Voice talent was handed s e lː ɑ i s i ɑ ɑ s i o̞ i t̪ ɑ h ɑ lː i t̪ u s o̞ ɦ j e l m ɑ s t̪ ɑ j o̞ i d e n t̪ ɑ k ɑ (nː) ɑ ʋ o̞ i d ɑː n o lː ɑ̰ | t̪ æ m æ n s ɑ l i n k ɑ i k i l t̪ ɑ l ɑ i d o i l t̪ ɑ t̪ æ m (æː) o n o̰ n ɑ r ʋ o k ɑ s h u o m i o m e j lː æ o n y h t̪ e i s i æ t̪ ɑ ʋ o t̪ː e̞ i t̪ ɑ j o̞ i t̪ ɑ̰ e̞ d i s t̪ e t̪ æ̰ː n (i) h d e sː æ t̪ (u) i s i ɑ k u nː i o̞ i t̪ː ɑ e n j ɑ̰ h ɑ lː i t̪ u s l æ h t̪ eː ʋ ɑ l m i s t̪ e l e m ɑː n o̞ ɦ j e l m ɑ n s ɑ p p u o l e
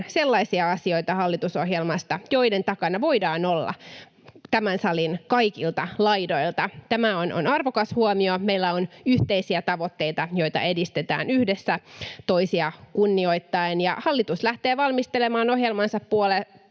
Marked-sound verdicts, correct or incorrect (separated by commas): incorrect, incorrect, incorrect, incorrect